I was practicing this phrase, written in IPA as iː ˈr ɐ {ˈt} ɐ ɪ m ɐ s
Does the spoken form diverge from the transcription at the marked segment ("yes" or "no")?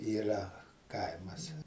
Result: yes